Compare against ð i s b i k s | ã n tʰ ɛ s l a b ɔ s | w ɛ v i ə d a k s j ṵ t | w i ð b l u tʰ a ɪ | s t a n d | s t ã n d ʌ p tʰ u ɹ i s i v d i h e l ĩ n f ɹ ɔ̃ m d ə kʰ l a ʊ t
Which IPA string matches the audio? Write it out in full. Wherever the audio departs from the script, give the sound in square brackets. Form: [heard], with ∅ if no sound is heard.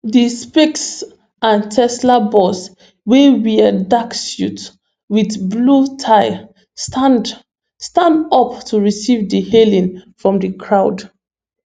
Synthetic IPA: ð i s [p] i k s | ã n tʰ ɛ s l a b ɔ s | w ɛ [w] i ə d a k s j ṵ t | w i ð b l u tʰ a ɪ | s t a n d | s t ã n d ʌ p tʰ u ɹ i s i v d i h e l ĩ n f ɹ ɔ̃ m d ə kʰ [ɹ] a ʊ [d]